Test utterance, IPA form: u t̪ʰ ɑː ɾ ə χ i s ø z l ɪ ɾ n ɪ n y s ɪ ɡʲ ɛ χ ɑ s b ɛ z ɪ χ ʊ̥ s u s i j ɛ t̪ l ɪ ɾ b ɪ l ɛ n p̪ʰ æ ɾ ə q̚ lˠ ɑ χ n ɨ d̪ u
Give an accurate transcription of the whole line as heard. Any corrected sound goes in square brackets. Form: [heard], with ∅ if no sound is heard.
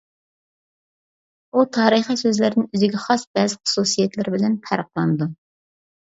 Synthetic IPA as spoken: u t̪ʰ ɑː ɾ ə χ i s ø z l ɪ ɾ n ɪ n y [z] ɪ ɡʲ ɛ χ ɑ s b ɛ z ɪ χ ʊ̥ s u s i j ɛ t̪ l ɪ ɾ b ɪ l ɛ n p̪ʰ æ ɾ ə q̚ lˠ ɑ [∅] n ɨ d̪ u